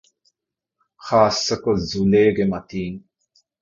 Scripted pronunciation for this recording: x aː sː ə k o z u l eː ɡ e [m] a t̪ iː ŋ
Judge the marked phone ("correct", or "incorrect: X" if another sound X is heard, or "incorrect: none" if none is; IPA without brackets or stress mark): correct